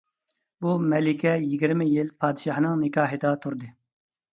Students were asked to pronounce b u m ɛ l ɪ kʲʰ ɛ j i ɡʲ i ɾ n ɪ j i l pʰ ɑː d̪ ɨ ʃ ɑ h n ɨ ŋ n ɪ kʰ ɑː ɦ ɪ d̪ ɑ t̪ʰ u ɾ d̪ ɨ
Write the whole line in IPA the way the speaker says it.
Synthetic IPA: b u m ɛ l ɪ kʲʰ ɛ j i ɡʲ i ɾ m ɪ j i l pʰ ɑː d̪ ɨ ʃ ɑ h n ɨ ŋ n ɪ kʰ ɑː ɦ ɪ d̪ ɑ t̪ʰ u ɾ d̪ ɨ